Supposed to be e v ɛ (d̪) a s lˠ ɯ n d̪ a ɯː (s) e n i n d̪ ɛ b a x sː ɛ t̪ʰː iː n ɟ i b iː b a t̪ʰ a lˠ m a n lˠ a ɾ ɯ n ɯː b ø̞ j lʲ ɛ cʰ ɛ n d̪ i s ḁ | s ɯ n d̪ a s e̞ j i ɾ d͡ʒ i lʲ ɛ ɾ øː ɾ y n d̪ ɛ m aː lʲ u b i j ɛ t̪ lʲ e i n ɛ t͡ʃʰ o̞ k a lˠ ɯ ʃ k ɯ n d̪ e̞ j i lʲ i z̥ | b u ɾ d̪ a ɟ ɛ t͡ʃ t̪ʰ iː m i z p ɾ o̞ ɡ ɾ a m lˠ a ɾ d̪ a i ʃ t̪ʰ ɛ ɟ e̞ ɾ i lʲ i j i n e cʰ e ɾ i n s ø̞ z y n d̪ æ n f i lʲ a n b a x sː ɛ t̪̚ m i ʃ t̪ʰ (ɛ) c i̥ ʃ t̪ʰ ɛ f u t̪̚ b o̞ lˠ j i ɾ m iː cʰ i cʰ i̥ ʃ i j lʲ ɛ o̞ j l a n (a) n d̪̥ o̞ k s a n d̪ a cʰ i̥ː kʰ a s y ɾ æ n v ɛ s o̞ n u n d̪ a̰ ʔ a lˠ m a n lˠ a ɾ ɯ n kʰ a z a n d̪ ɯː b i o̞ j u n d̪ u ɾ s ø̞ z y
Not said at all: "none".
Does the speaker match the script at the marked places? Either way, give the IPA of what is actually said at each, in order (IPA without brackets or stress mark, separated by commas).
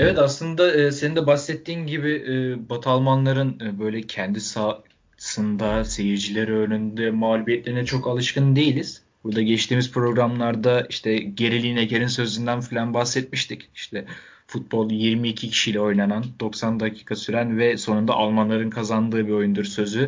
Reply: t̪, s, i, a